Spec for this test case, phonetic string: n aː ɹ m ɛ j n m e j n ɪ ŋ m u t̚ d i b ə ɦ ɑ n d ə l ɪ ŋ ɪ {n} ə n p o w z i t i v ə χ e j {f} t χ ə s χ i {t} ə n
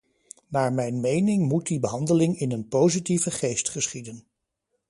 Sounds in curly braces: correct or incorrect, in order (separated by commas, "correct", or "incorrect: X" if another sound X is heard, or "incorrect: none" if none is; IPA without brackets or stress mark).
correct, incorrect: s, incorrect: d